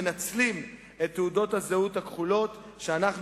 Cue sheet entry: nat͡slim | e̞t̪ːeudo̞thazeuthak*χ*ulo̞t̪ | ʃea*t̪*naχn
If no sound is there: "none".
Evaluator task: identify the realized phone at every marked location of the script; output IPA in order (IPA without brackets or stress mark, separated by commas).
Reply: χ, none